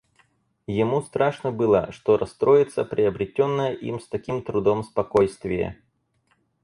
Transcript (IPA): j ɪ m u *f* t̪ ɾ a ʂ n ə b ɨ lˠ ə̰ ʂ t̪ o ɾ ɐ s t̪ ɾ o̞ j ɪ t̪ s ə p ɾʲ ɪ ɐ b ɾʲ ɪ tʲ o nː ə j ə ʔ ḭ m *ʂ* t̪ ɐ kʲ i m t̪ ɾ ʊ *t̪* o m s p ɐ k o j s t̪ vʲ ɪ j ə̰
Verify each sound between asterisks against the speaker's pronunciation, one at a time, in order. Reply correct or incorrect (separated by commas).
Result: incorrect, incorrect, incorrect